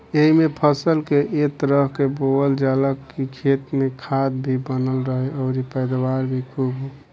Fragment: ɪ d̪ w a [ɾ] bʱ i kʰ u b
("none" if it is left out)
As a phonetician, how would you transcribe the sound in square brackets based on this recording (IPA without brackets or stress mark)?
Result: ɾ